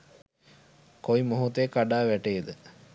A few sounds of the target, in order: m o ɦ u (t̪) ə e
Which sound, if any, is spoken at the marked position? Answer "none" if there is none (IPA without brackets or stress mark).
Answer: t̪